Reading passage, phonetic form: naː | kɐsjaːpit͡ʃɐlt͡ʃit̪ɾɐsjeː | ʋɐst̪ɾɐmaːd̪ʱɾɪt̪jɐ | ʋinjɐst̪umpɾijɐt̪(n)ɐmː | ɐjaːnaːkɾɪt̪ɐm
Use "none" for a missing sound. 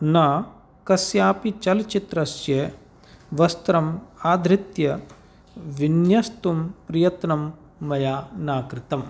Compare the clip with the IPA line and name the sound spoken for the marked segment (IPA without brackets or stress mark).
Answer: n